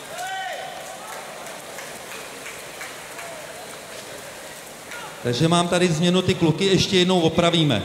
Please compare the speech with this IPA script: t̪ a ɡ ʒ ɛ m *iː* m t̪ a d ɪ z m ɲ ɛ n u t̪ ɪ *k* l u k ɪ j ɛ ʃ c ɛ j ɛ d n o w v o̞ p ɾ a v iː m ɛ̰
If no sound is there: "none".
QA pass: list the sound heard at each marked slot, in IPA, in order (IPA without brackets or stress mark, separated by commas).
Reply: aː, k